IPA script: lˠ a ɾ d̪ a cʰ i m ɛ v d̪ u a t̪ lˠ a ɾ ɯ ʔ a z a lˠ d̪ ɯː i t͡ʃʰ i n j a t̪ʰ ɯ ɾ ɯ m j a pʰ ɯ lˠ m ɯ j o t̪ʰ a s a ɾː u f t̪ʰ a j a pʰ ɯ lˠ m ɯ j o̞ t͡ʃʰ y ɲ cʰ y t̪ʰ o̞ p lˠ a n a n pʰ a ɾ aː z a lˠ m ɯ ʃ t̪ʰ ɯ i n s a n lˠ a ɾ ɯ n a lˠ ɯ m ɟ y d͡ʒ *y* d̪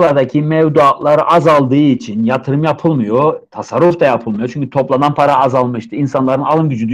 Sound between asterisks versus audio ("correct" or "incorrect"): correct